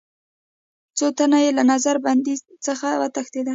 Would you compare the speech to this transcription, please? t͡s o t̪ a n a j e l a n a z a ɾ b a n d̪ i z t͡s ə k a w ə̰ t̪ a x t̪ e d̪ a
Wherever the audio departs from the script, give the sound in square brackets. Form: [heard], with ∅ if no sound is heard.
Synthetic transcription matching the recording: t͡s o t̪ a n a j e l a n a z a ɾ b a n d̪ i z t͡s ə [x] a w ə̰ t̪ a x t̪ e d̪ a